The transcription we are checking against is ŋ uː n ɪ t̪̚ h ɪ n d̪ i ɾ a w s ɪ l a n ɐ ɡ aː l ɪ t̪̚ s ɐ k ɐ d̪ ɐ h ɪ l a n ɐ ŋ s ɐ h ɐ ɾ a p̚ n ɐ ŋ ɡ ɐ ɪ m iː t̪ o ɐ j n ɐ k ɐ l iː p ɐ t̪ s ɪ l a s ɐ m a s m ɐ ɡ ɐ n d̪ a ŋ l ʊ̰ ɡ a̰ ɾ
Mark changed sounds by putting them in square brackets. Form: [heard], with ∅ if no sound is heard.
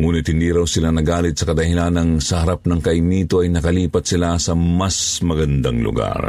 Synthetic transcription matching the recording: ŋ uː n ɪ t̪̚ h ɪ n d̪ i ɾ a w s ɪ l a n ɐ ɡ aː l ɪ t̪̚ s ɐ k ɐ d̪ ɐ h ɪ l a n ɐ ŋ s ɐ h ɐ ɾ a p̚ n ɐ ŋ [k] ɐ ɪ m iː t̪ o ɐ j n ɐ k ɐ l iː p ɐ t̪ s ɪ l a s ɐ m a s m ɐ ɡ ɐ n d̪ a ŋ l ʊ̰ ɡ a̰ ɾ